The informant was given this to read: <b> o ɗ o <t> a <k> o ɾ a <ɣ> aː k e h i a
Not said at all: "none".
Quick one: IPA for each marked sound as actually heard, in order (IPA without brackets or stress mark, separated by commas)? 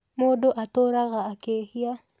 m, ʔ, t, ɣ